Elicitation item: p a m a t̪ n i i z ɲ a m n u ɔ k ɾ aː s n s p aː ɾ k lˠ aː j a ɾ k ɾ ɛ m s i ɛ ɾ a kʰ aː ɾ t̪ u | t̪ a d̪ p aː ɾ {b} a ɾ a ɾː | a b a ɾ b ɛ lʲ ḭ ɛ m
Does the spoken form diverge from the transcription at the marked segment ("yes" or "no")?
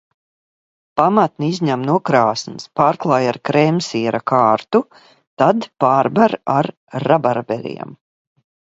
no